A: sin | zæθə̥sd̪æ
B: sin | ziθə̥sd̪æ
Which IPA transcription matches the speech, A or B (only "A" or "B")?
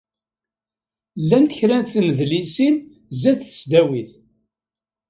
A